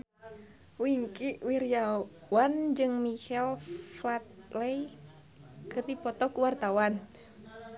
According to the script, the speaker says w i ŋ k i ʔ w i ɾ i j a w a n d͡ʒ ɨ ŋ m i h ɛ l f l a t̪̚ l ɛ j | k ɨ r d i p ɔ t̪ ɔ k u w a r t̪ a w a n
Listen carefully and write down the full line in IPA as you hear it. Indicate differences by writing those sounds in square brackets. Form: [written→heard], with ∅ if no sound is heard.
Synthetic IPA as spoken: w i ŋ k i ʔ w i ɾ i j a w a n d͡ʒ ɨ ŋ m i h ɛ l f l a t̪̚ l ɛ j | k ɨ r d i p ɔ t̪ ɔ k u w a r t̪ a w a n